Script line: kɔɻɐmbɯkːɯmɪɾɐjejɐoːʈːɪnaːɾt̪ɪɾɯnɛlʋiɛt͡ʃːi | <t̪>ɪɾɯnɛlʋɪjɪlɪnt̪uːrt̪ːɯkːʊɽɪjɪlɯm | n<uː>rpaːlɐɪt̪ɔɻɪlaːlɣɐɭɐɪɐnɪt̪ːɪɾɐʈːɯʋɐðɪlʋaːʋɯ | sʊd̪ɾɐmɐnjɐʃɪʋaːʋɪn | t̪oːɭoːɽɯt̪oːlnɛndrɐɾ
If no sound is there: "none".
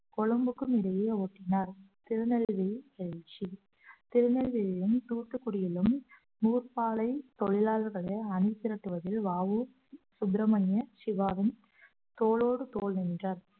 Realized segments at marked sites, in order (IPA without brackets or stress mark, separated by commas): t̪, uː